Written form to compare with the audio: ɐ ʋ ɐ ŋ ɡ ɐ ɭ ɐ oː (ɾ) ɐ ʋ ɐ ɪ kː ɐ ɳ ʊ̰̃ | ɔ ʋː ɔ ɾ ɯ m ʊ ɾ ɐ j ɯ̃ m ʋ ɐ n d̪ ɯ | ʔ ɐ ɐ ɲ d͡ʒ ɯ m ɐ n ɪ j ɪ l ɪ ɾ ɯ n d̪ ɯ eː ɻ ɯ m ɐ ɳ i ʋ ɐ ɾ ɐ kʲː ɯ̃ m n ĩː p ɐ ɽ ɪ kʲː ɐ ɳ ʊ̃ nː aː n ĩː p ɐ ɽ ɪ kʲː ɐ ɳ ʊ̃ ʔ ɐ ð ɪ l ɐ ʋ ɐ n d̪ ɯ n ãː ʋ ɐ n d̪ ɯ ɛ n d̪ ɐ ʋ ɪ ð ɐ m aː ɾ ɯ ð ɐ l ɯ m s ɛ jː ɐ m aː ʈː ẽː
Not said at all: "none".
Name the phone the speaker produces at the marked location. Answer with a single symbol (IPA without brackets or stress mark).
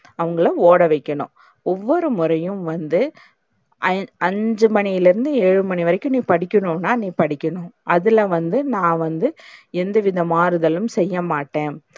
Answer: ɽ